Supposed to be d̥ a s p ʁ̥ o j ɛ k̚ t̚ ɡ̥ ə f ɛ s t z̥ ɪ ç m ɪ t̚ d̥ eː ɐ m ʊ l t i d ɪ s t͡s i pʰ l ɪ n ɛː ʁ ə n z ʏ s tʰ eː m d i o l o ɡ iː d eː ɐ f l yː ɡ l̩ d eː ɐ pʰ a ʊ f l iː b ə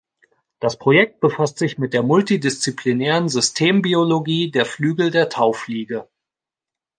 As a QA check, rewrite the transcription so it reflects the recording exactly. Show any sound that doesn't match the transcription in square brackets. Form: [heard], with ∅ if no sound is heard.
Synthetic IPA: d̥ a s p ʁ̥ o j ɛ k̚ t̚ [b̥] ə f [a] s t z̥ ɪ ç m ɪ t̚ d̥ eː ɐ m ʊ l t i d ɪ s t͡s i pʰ l [i] n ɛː ʁ ə n z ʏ s tʰ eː m [b] i o l o ɡ iː d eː ɐ f l yː ɡ l̩ d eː ɐ [tʰ] a ʊ f l iː [ɡ] ə